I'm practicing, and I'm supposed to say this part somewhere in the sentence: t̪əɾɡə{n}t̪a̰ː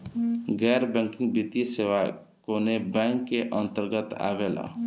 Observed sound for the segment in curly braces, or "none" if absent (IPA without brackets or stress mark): none